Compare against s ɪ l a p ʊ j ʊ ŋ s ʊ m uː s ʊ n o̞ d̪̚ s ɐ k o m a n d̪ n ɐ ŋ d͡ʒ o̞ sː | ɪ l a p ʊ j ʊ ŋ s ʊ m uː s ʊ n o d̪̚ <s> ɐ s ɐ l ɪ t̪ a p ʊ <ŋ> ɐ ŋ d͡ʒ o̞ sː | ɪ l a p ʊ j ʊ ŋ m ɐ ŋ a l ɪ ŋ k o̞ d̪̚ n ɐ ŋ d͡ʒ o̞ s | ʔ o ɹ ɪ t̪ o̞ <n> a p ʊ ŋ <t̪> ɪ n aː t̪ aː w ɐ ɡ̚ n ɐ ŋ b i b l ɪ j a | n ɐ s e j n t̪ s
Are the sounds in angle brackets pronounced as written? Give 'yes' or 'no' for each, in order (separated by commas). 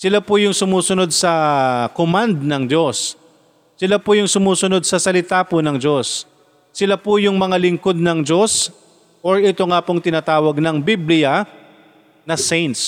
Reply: yes, no, no, yes